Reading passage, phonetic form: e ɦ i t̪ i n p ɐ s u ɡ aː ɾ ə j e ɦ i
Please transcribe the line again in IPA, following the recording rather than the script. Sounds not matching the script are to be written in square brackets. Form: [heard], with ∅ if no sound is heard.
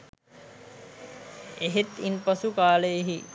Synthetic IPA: e ɦ [e] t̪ i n p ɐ s u [k] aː [l] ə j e ɦ i

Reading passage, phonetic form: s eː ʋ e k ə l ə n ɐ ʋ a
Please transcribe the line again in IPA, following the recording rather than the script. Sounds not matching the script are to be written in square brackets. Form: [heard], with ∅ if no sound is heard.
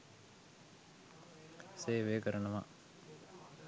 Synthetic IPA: s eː ʋ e k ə [ɾ] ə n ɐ ʋ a

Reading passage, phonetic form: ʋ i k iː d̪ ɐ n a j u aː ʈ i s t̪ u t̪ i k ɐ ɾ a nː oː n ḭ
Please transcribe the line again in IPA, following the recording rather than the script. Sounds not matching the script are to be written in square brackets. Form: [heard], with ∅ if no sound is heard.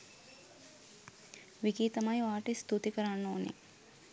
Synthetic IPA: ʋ i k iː [t̪] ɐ [m] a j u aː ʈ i s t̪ u t̪ i k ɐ ɾ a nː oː n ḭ

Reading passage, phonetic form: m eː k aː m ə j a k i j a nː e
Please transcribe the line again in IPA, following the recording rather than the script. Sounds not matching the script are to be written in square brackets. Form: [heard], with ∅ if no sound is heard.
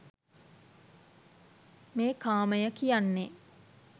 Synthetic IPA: m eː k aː m ə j [ə] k i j a nː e

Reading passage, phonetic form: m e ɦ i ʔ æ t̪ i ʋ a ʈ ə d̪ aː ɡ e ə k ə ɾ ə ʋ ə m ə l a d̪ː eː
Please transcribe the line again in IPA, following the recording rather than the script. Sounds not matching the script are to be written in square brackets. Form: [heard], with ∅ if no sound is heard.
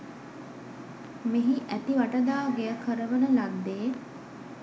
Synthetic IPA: m e ɦ i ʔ æ t̪ i ʋ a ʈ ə d̪ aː ɡ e ə k ə ɾ ə ʋ ə [n] ə l a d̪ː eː

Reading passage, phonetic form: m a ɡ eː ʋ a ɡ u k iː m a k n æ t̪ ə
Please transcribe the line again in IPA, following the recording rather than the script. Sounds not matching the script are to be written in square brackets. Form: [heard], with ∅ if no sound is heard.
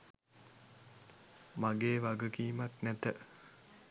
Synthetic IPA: m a ɡ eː ʋ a ɡ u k iː m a k n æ t̪ ə

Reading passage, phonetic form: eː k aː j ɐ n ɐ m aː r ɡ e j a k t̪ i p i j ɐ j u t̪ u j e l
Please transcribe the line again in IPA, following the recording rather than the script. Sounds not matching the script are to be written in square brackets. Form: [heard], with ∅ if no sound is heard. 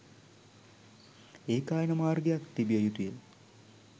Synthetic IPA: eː k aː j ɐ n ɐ m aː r ɡ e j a k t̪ i [b] i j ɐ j u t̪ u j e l

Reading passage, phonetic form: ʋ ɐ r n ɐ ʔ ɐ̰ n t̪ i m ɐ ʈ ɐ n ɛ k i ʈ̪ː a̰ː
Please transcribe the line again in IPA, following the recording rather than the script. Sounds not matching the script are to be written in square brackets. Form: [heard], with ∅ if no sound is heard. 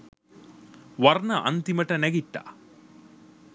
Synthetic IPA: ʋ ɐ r n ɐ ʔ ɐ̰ n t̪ i m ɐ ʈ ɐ n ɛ [ɡ] i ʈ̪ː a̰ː

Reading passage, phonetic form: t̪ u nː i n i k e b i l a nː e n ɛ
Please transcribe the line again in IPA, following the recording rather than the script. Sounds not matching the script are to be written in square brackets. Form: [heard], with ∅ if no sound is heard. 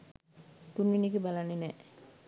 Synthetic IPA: t̪ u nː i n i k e b [a] l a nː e n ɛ

